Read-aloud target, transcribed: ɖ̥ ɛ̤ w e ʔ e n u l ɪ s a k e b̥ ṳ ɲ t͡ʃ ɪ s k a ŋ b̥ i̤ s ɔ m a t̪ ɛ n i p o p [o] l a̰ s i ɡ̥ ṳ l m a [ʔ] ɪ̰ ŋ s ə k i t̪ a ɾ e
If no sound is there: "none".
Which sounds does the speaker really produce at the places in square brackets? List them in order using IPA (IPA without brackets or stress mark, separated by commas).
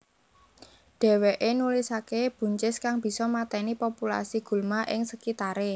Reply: u, ʔ